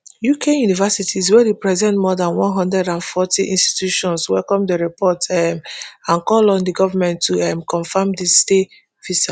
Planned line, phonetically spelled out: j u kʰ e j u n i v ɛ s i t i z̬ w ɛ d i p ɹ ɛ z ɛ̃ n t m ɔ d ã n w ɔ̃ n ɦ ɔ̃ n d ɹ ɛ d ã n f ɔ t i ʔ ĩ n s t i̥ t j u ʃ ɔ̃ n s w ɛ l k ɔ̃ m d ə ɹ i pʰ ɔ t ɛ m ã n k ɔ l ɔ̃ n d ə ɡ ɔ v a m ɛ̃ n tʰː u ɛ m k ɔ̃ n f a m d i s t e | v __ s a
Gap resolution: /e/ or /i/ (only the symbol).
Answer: i